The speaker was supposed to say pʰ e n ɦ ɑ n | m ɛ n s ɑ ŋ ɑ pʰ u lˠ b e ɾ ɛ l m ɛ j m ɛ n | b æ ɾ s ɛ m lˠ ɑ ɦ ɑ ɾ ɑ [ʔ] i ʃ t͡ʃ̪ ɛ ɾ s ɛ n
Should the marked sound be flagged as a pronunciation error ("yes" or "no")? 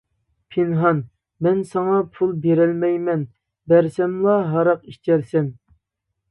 yes